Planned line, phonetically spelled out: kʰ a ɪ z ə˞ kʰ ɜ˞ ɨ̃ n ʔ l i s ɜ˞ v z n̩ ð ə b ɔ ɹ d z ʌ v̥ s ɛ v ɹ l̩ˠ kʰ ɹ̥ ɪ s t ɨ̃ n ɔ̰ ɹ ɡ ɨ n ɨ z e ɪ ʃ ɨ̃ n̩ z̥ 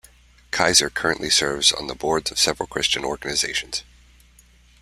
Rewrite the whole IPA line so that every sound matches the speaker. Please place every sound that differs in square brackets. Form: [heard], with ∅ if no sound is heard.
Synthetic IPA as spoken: kʰ a ɪ z ə˞ kʰ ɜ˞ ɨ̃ n ʔ l i s ɜ˞ v z n̩ ð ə b ɔ ɹ d z ʌ v̥ s ɛ v ɹ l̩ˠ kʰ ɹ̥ ɪ s [t͡ʃ] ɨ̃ n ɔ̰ ɹ ɡ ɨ n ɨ z e ɪ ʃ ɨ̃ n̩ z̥